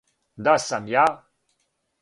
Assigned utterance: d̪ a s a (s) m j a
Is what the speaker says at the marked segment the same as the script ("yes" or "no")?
no